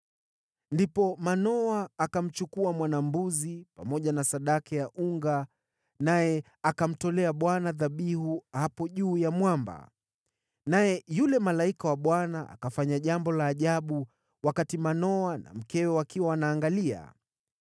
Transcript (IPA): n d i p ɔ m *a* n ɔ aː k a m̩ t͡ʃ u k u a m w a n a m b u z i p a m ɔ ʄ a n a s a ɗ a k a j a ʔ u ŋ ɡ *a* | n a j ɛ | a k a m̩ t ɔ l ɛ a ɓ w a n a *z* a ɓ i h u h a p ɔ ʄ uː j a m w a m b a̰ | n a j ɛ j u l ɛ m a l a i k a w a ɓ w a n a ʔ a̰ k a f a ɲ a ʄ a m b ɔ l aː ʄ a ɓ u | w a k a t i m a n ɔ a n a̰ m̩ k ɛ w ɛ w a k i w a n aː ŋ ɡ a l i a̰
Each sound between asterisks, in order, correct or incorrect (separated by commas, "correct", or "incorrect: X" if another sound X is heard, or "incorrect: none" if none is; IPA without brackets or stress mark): correct, correct, incorrect: ð